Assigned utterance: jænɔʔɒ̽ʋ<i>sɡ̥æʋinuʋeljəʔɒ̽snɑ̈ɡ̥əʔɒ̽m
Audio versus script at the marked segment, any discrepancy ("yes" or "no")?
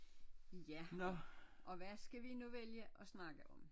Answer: yes